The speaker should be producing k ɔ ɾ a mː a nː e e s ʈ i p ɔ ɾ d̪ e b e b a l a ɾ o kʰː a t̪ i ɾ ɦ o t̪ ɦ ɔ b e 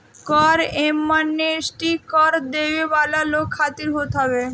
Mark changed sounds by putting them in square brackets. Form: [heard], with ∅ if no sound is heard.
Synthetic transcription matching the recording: k ɔ ɾ [e] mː a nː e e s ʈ i [k] ɔ ɾ d̪ e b e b a l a [l] o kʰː a t̪ i ɾ ɦ o t̪ ɦ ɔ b e